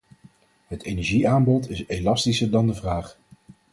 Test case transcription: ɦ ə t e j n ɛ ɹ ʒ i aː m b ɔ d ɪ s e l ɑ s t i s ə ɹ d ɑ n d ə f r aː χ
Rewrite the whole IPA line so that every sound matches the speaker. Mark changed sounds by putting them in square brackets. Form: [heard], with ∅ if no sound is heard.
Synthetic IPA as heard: ɦ ə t e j n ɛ ɹ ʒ i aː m b ɔ [t] ɪ s e l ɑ s t i s ə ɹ d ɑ n d ə [v] r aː χ